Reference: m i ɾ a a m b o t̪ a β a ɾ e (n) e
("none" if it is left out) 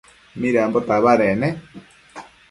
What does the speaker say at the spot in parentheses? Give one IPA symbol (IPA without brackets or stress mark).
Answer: n